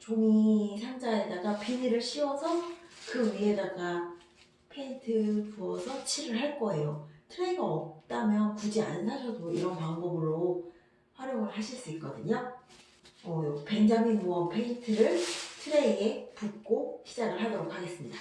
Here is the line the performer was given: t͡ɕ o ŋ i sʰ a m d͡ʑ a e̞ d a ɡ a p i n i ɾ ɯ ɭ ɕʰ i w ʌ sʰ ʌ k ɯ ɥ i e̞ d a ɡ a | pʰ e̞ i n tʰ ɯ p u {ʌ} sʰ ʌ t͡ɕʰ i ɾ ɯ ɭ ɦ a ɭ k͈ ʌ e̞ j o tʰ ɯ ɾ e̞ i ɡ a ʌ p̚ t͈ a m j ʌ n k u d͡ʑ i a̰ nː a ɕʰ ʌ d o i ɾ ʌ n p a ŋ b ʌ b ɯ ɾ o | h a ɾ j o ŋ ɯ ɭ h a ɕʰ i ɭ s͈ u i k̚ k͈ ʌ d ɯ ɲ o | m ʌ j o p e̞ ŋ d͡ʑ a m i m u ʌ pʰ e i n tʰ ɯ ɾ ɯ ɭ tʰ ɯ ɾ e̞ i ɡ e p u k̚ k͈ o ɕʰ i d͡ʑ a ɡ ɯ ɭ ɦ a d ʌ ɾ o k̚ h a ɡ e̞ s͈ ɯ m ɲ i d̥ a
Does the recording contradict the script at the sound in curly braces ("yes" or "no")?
no